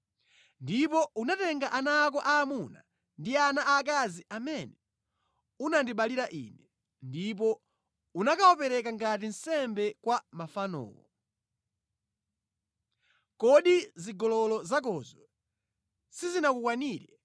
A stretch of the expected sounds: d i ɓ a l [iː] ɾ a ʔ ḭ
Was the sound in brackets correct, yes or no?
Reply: no